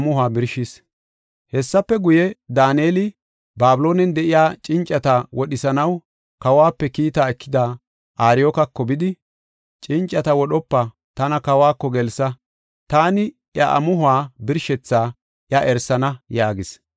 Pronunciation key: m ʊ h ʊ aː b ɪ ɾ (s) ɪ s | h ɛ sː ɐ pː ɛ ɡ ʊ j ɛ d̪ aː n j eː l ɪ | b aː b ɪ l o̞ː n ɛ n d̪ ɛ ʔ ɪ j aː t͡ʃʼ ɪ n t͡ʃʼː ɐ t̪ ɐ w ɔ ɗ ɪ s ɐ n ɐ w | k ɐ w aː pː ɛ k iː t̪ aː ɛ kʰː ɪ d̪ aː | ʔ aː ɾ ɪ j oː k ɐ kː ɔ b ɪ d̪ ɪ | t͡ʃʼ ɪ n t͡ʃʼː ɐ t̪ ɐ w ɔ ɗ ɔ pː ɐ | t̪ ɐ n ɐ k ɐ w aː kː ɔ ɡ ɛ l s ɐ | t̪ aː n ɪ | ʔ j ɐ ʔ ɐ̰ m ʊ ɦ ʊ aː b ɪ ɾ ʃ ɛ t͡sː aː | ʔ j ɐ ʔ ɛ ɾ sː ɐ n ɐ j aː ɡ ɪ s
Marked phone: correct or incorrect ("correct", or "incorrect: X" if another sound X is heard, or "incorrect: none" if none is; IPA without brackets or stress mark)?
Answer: incorrect: ʃ